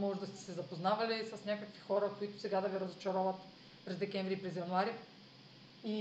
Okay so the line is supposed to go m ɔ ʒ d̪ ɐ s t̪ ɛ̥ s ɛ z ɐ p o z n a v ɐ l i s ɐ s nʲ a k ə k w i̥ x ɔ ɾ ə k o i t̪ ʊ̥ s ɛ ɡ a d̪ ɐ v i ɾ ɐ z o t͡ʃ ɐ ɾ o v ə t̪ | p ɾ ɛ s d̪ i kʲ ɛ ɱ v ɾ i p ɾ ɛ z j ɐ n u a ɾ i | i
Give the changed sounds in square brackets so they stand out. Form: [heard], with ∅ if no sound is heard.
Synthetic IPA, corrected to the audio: m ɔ ʒ d̪ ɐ s t̪ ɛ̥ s ɛ z ɐ p o z n a v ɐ l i s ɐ s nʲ a k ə k [v] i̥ x ɔ ɾ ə k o i t̪ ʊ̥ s ɛ ɡ a d̪ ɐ v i ɾ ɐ z o t͡ʃ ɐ ɾ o v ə t̪ | p ɾ ɛ [z] d̪ [ɛ] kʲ ɛ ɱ v ɾ i p ɾ ɛ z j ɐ n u a ɾ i | i